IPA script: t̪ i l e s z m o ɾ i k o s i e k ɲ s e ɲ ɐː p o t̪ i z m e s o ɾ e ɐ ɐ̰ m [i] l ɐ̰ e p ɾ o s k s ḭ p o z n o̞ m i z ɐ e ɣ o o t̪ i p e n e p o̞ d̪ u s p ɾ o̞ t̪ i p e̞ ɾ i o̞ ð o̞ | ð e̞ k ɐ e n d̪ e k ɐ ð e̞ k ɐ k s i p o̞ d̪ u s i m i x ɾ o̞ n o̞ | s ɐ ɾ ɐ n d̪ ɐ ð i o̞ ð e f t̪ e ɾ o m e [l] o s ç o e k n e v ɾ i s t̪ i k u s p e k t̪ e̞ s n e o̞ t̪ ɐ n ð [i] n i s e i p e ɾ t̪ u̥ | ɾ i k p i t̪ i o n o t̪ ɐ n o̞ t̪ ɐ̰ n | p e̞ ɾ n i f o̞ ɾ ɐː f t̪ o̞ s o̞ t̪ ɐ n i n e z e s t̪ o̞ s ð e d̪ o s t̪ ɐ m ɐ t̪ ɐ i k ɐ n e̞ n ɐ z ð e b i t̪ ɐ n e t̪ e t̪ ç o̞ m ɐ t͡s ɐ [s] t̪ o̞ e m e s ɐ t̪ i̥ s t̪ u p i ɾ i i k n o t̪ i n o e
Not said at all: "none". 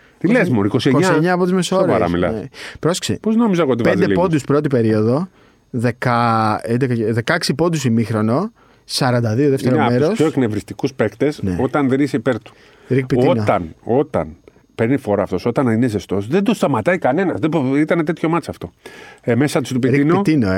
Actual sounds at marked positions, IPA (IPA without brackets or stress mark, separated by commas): i, ɾ, e, f